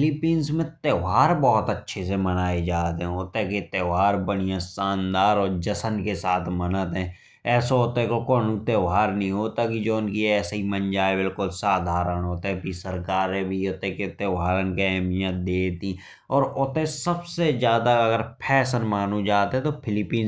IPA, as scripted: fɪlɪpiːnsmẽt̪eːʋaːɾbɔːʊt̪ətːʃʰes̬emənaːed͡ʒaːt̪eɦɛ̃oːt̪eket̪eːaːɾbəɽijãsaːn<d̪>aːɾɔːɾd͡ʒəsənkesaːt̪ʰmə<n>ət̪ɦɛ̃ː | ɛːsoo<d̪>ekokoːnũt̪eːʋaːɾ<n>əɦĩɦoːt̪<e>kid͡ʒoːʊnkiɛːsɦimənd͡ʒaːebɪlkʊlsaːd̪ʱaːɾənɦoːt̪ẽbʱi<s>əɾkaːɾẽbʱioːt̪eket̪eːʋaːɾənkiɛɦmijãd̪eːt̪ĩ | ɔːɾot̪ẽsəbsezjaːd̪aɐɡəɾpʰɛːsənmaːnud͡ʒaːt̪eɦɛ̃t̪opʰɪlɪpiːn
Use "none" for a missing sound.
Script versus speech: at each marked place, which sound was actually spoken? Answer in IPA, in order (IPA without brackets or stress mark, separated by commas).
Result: d̪, n, t̪, n, a, s